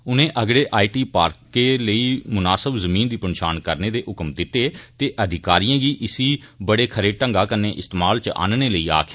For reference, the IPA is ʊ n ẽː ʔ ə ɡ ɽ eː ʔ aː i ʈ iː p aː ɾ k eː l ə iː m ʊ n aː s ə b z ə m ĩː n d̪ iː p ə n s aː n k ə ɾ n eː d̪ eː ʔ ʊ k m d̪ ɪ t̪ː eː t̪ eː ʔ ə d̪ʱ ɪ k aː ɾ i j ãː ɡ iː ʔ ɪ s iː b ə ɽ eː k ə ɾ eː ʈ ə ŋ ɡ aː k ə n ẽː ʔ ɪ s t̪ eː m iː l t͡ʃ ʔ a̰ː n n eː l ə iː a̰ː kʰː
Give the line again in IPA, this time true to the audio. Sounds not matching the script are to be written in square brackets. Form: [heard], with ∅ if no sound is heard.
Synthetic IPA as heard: ʊ n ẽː ʔ ə ɡ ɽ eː ʔ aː i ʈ iː p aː ɾ k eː l ə iː m ʊ n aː s ə b z ə m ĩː n d̪ iː p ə n [ʃ] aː n k ə ɾ n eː d̪ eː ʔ ʊ k m d̪ ɪ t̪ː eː t̪ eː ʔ ə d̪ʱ ɪ k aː ɾ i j ãː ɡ iː ʔ ɪ s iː b ə ɽ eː [kʰ] ə ɾ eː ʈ ə ŋ ɡ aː k ə n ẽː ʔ ɪ s t̪ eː m [aː] l t͡ʃ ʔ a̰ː n n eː l ə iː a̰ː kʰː